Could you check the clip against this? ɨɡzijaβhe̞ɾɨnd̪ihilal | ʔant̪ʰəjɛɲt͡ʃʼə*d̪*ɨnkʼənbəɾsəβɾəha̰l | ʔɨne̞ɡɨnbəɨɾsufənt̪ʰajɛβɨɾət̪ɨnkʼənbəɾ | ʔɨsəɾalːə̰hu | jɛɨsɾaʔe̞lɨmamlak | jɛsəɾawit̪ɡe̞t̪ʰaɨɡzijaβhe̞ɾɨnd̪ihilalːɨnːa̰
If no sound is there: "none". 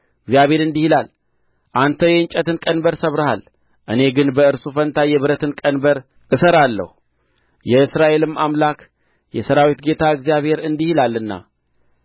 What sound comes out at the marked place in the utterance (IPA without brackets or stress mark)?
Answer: t̪